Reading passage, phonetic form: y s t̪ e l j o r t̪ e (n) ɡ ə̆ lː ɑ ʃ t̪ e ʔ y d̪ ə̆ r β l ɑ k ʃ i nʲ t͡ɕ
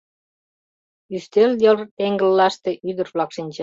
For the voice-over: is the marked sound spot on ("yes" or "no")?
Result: no